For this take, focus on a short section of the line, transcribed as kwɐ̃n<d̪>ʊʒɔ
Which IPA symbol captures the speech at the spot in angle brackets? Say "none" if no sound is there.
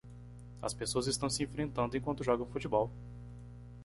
t̪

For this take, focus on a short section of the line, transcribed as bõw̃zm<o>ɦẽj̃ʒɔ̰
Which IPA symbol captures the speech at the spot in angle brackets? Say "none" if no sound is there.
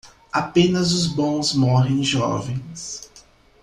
ɔ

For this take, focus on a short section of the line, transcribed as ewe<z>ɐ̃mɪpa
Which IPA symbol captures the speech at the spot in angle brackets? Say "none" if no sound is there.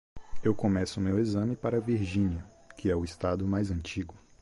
z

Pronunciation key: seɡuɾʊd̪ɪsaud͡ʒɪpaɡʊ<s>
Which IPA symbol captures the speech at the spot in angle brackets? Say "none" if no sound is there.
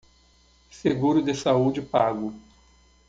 none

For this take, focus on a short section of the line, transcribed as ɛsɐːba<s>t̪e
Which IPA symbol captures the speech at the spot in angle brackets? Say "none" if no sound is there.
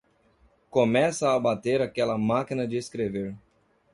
none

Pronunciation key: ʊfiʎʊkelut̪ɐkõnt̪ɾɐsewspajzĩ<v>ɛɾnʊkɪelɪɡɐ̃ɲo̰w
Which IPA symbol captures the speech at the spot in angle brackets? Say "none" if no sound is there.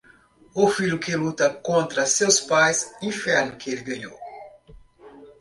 f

